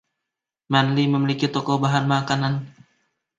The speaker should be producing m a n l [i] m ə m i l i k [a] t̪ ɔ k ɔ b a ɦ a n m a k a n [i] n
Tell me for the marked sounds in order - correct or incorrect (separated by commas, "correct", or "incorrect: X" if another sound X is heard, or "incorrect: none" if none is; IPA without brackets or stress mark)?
correct, incorrect: i, incorrect: a